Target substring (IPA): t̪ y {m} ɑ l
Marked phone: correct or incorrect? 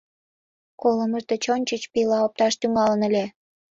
incorrect